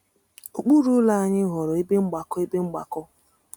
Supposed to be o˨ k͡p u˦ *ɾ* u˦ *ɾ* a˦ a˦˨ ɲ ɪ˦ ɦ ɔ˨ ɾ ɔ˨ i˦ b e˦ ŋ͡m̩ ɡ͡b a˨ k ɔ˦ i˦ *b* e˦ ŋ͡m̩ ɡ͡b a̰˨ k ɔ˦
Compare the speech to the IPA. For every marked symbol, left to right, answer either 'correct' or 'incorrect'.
correct, incorrect, correct

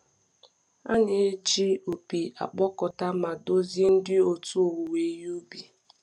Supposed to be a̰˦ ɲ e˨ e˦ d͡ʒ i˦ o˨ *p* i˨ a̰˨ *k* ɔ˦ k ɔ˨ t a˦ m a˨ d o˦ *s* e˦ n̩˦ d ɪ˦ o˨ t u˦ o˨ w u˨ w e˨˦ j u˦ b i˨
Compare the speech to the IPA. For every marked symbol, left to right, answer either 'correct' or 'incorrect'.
correct, incorrect, incorrect

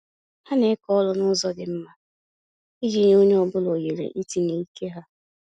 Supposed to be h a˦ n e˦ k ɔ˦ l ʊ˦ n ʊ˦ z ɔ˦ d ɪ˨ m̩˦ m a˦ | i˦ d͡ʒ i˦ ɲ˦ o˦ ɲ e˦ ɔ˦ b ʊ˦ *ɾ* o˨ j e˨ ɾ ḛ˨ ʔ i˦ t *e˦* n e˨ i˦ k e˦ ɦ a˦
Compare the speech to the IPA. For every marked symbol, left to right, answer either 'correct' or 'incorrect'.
incorrect, incorrect

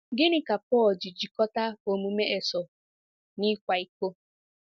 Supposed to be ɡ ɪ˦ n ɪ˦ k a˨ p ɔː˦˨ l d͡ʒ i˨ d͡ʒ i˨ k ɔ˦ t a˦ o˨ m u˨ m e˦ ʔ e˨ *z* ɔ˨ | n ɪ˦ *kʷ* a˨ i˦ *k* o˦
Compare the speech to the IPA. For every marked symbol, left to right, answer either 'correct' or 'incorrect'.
incorrect, correct, correct

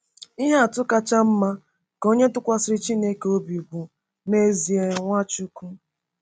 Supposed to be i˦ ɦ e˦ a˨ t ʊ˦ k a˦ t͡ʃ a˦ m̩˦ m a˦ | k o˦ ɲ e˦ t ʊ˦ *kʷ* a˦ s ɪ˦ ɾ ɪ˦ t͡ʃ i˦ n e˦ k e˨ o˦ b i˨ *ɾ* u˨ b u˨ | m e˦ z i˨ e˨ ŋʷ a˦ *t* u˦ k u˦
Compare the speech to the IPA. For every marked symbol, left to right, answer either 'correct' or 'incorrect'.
correct, incorrect, incorrect

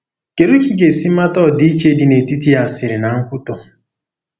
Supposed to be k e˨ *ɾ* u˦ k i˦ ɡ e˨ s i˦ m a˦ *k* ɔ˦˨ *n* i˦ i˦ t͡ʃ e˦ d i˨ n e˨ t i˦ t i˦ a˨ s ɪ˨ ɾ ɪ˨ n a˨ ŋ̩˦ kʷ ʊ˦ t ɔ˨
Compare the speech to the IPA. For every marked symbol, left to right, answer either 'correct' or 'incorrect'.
correct, incorrect, incorrect

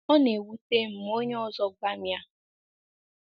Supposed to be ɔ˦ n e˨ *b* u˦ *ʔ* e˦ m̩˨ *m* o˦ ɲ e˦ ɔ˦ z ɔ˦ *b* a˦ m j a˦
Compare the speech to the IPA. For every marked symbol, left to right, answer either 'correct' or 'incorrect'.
incorrect, incorrect, correct, incorrect

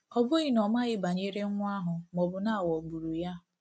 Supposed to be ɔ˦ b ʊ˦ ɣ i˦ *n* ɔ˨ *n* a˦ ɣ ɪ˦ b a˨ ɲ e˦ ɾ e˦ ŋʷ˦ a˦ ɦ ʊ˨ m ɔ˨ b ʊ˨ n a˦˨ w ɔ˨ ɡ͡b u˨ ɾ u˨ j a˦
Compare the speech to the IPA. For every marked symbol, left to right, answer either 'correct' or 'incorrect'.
correct, incorrect

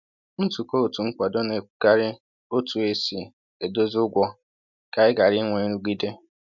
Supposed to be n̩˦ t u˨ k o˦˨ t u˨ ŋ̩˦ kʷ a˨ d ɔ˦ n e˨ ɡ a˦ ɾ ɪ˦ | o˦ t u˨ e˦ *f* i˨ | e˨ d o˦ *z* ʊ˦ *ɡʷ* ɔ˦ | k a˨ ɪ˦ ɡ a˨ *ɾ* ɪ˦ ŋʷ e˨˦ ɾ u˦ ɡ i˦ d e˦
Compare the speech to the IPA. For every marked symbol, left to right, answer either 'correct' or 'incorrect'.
incorrect, correct, correct, correct

